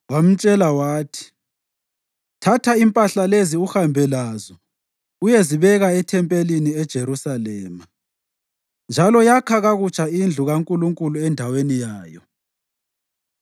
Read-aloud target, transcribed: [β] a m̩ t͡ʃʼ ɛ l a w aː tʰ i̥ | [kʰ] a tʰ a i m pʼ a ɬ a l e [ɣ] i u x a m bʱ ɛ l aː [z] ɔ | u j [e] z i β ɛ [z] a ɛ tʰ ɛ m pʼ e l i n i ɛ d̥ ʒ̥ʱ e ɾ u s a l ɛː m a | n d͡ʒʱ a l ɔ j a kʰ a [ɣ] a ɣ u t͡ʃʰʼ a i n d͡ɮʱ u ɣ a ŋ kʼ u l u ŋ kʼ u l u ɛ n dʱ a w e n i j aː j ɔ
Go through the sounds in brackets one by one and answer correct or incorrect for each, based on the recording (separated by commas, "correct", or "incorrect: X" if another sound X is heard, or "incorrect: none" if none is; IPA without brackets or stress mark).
incorrect: w, incorrect: tʰ, incorrect: z, correct, correct, incorrect: ɣ, correct